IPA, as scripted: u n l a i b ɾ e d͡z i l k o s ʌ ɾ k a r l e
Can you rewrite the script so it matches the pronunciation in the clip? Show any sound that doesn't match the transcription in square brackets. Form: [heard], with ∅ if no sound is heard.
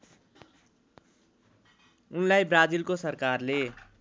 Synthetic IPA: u n l a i b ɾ [a] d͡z i l k o s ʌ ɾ k a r l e